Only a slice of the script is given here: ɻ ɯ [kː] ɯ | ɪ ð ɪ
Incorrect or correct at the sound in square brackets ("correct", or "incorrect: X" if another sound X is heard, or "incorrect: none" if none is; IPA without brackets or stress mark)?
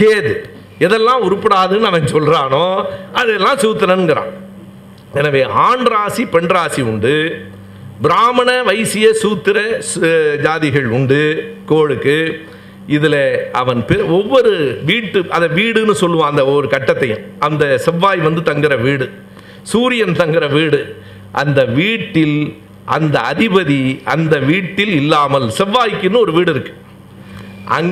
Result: correct